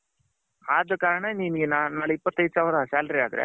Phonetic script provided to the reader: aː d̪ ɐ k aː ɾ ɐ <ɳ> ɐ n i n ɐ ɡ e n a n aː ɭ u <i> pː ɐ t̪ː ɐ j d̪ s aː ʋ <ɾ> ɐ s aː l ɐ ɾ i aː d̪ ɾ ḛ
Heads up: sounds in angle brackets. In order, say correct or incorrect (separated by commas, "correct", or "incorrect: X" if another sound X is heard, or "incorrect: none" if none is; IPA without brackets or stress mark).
correct, correct, correct